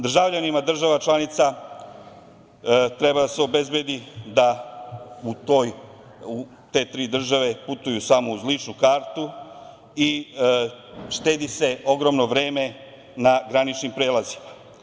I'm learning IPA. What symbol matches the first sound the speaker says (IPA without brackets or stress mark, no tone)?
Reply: d̪